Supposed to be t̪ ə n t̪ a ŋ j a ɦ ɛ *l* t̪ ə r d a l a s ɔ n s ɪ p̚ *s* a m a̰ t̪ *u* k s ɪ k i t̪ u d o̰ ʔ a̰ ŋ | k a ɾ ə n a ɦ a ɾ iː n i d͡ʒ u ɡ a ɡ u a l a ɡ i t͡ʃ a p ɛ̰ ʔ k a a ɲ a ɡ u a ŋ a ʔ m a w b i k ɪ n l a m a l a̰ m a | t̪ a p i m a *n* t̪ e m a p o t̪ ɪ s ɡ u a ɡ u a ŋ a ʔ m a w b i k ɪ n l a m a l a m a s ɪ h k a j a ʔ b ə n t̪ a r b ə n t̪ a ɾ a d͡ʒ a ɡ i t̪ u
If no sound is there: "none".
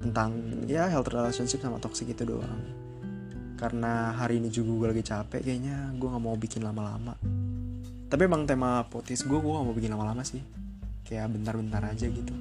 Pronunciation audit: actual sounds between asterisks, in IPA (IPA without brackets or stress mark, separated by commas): l, s, ɔ, ŋ